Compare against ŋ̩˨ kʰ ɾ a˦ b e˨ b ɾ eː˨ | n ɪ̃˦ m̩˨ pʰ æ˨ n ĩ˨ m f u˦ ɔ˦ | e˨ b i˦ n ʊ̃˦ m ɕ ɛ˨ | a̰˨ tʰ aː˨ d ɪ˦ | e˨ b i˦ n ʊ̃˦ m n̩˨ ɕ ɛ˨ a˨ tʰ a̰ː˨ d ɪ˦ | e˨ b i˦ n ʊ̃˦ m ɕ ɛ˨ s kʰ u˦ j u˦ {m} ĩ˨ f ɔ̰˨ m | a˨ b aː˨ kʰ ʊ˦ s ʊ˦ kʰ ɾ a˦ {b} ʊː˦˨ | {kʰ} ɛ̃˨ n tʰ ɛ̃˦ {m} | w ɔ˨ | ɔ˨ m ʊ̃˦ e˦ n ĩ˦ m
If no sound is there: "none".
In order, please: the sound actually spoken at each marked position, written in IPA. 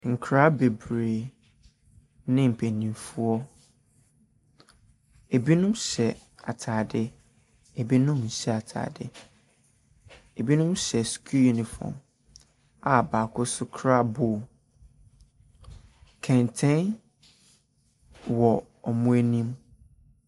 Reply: n, b, kʰ, n

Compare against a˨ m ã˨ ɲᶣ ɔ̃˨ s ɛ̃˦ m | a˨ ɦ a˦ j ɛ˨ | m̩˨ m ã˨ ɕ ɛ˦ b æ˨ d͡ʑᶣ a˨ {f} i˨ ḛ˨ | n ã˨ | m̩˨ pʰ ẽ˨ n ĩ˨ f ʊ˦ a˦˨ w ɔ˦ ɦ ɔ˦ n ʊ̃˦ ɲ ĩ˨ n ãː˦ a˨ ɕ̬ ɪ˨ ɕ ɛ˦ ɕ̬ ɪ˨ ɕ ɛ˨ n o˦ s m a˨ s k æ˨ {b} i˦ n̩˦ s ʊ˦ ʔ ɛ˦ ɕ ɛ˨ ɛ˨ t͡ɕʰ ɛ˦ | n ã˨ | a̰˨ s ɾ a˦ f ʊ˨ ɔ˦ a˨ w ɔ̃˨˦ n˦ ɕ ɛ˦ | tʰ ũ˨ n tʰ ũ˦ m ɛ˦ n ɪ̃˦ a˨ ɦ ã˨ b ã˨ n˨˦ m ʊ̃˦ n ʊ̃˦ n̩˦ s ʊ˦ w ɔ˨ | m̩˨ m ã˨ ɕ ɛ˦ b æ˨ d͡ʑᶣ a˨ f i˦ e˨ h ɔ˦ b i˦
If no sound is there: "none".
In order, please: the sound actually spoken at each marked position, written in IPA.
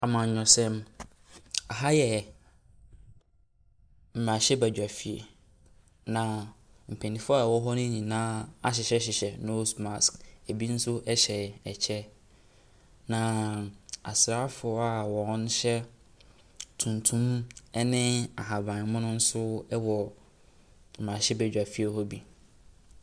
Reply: f, b

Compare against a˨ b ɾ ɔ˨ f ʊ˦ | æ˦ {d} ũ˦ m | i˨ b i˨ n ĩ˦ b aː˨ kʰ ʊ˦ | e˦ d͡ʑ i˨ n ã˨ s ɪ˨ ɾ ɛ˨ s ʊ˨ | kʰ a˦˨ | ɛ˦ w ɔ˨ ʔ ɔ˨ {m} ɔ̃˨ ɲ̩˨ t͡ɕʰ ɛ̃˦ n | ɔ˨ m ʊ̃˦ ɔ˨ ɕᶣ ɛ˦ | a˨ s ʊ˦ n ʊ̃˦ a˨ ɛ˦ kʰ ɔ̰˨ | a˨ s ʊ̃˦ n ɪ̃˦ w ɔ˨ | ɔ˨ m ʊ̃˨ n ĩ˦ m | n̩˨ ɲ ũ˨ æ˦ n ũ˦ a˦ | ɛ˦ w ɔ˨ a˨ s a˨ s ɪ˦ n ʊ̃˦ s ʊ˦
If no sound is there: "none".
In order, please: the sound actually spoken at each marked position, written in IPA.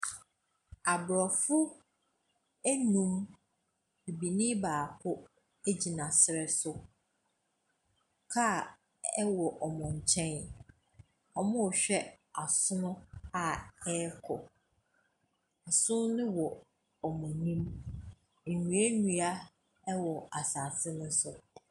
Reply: n, m

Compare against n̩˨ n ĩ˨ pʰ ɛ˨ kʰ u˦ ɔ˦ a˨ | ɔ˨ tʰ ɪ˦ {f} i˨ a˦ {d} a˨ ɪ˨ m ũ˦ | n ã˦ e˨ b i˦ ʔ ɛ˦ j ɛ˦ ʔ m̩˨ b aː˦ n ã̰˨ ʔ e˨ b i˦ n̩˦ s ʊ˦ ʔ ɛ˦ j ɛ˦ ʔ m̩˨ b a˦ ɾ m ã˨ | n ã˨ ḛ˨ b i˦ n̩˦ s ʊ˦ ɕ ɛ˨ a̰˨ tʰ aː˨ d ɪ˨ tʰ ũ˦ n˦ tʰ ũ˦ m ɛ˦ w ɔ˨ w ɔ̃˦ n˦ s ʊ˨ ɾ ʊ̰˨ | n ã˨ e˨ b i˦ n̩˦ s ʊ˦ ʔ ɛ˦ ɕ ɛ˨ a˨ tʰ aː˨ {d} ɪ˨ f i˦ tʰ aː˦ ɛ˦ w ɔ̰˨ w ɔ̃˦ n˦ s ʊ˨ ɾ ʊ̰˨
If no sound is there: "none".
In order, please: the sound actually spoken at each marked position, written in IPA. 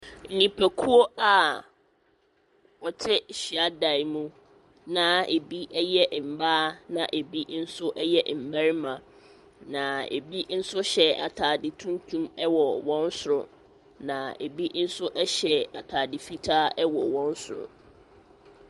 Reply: ɕ, d, d

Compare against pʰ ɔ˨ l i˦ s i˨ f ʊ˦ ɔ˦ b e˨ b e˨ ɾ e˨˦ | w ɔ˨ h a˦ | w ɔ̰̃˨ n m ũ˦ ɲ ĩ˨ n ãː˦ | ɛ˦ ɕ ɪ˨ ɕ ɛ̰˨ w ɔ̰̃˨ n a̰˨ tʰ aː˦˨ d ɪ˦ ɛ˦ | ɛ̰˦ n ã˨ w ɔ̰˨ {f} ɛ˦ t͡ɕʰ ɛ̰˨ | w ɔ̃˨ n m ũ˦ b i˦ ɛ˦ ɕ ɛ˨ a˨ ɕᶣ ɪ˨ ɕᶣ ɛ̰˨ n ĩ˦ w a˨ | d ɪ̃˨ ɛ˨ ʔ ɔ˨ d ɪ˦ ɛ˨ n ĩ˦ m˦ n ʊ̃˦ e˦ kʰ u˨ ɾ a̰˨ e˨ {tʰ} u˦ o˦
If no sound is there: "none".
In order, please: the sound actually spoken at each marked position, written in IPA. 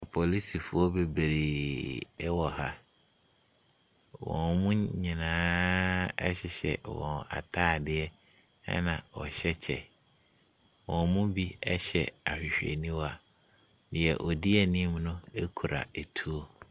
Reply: ɕ, tʰ

